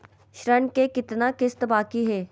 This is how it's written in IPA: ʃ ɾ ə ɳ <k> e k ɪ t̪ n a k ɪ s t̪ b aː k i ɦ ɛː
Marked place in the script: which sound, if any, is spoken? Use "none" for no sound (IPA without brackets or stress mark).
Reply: k